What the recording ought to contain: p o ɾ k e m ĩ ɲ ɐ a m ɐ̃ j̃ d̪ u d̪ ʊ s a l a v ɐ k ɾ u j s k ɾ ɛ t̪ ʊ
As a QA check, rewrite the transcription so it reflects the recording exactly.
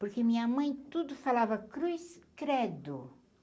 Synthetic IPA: p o ɾ k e m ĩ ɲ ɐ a m ɐ̃ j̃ t̪ u d̪ ʊ f a l a v ɐ k ɾ u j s k ɾ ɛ d̪ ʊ